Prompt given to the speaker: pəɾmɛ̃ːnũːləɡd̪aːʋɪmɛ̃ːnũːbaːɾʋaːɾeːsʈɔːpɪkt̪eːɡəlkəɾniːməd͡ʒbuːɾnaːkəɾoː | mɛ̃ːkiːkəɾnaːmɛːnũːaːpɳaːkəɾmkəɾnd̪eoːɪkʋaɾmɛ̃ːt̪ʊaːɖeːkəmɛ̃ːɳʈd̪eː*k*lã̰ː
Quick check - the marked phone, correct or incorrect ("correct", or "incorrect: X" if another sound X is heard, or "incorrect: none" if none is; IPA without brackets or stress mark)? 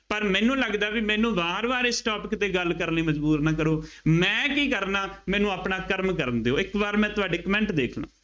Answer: incorrect: kʰ